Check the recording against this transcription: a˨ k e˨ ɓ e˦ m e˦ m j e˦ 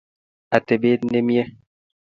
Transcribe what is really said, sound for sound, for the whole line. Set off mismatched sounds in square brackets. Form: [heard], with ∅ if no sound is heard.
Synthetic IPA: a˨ [t] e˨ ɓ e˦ [n] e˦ m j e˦